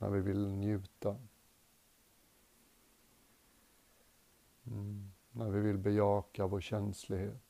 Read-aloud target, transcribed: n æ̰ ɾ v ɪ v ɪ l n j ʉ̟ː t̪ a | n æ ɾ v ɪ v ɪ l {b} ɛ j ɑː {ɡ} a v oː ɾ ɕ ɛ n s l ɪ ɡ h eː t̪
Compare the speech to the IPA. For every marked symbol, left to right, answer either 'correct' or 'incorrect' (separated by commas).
correct, incorrect